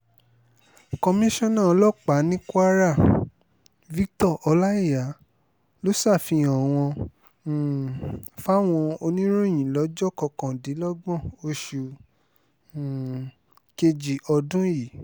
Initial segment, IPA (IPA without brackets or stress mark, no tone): k